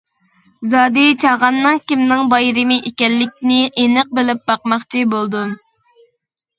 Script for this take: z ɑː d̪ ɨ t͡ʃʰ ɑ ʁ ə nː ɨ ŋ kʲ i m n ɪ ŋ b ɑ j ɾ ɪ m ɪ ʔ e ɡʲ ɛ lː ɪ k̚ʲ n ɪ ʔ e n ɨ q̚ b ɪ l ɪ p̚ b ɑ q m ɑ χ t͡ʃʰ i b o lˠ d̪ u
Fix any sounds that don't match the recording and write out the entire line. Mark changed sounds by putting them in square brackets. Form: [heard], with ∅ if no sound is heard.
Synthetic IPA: z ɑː d̪ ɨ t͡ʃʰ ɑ ʁ [ɑ] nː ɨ ŋ kʲ i m n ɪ ŋ b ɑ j ɾ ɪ m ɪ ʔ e [kʲ] ɛ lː ɪ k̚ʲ n ɪ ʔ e n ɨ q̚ b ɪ l ɪ p̚ b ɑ q m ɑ χ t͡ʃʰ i b o lˠ d̪ u